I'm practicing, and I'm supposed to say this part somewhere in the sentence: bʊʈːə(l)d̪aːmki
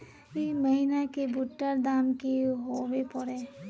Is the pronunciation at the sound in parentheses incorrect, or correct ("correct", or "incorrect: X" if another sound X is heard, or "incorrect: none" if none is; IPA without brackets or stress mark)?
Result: incorrect: ɾ